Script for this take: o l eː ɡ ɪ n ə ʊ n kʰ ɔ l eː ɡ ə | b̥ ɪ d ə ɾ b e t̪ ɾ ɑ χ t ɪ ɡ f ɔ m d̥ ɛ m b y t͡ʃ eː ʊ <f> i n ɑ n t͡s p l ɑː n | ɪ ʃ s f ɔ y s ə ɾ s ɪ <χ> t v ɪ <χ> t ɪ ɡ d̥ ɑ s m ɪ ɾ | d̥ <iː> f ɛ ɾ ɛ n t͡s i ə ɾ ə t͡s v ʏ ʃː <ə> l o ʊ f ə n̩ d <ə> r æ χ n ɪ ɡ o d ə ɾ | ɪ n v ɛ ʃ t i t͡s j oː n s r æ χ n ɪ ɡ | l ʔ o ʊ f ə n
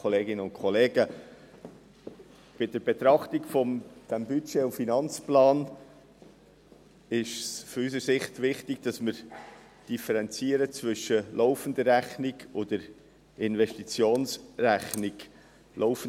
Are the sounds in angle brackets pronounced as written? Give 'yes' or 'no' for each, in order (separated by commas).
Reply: yes, yes, yes, no, yes, yes